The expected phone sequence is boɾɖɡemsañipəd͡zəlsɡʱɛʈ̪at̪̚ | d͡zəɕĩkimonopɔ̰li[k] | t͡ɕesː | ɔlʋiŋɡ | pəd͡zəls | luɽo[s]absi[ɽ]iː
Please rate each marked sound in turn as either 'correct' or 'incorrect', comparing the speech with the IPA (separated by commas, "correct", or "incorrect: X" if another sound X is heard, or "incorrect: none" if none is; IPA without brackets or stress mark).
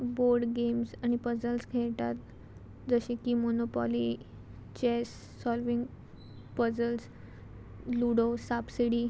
incorrect: none, correct, correct